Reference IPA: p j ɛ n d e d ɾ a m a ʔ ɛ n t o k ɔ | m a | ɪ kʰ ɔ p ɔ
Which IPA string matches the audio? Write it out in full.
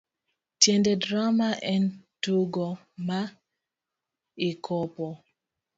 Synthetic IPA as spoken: t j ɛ n d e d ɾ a m a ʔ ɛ n t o ɡ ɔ | m a | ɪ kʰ ɔ p ɔ

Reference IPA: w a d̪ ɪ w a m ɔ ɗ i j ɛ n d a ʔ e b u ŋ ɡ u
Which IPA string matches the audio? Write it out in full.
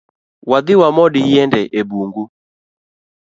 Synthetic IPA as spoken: w a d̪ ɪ w a m ɔ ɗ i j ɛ n d ɛ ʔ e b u ŋ ɡ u

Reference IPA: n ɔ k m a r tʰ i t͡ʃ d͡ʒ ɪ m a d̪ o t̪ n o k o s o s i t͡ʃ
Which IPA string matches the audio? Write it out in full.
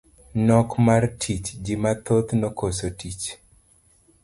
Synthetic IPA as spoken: n ɔ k m a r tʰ i t͡ʃ d͡ʒ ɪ m a t̪ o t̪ n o k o s o t i t͡ʃ

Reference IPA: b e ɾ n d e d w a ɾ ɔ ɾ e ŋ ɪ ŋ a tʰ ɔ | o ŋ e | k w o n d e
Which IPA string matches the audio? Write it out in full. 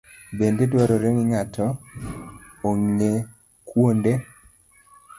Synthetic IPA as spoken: b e n d e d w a ɾ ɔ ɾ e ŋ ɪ ŋ a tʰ ɔ | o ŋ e | k w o n d e

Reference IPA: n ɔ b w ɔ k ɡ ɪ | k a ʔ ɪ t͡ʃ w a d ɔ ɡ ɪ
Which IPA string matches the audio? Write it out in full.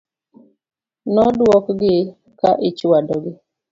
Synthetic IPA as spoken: n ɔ d w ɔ k ɡ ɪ | k a ʔ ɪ t͡ʃ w a d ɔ ɡ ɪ

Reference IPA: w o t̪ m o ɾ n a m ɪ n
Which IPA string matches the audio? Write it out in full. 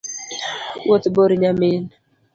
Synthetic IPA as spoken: w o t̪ b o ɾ ɲ a m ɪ n

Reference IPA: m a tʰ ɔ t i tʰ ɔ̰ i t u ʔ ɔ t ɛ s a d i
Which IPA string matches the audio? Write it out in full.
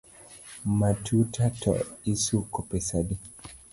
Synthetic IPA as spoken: m a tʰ u t a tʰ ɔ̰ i s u k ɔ p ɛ s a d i

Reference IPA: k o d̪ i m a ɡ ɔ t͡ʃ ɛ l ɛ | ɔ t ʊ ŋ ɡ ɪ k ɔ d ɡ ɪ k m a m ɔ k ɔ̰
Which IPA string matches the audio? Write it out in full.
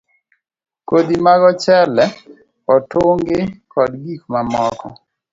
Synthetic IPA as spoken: k o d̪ i m a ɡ ɔ t͡ʃ ɛ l ɛ | ɔ t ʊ ŋ ɡ ɪ k ɔ d ɡ i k m a m ɔ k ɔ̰

